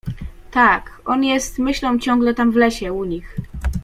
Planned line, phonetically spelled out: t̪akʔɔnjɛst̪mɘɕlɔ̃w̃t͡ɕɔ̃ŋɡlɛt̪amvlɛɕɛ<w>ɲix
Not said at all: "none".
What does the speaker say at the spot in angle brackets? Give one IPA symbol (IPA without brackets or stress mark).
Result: u